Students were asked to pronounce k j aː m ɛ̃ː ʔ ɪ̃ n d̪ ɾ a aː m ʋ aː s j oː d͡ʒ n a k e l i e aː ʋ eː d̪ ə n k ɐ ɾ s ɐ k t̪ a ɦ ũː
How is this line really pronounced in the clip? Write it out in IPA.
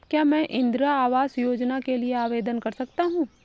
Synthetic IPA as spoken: k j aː m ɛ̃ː ʔ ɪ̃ n d̪ ɾ a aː ʋ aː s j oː d͡ʒ n a k e l i e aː ʋ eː d̪ ə n k ɐ ɾ s ɐ k t̪ a ɦ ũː